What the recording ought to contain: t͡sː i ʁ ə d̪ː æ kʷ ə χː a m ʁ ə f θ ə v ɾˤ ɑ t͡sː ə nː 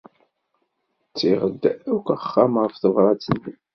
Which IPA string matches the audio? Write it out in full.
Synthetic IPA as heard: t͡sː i ʁ ə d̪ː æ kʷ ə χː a m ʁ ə f θ ə v ɾˤ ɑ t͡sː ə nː